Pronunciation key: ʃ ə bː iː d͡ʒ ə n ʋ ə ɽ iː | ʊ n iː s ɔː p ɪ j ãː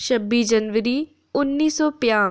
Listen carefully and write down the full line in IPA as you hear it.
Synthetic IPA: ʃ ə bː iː d͡ʒ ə n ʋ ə ɾ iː | ʊ nː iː s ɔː p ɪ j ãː